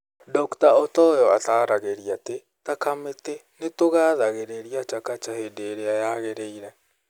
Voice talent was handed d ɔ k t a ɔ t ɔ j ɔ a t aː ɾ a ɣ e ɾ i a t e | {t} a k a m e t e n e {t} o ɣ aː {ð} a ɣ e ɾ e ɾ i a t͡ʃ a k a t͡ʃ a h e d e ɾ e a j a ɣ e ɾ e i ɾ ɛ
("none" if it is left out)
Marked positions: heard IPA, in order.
t, t, ð

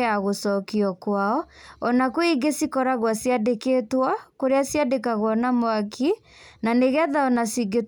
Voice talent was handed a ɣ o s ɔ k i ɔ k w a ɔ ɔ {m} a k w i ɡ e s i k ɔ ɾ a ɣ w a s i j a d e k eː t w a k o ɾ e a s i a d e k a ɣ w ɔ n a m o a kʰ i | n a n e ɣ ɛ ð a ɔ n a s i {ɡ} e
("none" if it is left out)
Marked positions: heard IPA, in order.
n, ɡ

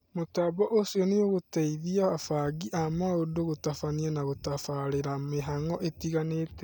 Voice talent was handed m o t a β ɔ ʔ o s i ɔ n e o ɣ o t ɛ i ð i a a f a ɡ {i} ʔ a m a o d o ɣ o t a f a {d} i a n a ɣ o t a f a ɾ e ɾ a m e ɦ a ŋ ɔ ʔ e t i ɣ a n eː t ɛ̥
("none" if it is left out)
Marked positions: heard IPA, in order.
i, n

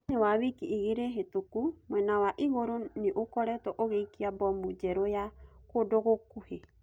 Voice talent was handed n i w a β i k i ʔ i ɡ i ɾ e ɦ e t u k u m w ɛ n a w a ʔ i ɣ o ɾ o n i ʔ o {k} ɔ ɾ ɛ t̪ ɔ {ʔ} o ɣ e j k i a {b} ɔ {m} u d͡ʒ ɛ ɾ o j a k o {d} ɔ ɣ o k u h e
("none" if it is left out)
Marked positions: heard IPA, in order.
k, ʔ, b, m, d

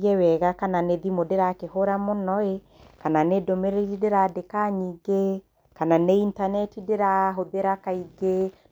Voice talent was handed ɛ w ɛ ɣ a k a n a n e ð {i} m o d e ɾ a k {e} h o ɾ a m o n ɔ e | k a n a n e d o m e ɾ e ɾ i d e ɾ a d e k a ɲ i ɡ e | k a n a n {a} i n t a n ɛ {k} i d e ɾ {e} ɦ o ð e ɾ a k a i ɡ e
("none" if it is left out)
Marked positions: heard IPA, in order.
i, e, e, t, a

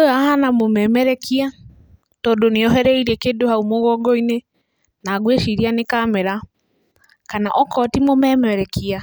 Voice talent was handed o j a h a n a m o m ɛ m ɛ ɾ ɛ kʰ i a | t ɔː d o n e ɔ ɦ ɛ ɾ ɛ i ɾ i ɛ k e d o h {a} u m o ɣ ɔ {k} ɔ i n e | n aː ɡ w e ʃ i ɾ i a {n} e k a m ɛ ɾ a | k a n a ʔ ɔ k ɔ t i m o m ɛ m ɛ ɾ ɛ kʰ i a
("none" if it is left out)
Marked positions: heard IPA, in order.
a, ɡ, n

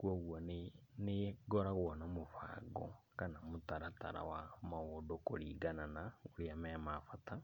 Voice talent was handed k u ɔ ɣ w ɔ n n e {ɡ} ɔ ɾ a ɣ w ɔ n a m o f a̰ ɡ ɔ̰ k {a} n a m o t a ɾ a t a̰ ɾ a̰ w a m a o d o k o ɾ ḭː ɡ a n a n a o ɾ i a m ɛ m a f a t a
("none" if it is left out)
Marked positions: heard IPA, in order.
ɡ, a

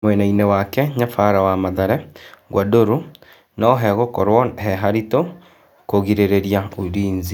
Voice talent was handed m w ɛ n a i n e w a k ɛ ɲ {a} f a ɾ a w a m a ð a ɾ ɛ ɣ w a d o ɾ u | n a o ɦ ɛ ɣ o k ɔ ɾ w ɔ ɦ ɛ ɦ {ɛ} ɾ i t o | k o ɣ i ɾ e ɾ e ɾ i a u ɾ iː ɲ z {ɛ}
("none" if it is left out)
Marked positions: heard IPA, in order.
a, a, i

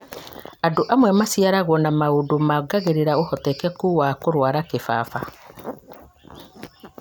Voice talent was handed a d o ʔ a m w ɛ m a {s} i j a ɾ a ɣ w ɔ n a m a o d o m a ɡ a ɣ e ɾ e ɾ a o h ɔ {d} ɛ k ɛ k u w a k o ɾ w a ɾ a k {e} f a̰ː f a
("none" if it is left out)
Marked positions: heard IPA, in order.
s, t, e

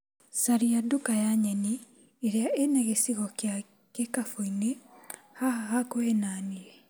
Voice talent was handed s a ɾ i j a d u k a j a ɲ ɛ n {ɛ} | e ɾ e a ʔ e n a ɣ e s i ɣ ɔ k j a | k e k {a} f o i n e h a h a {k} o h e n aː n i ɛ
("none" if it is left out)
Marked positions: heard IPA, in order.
i, a, k

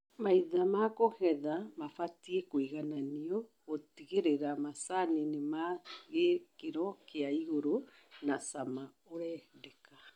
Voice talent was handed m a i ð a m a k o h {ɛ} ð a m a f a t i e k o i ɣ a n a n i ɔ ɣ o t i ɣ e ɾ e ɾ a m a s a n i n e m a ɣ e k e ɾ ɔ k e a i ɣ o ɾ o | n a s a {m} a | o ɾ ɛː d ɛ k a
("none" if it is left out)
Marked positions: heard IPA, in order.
ɛ, m

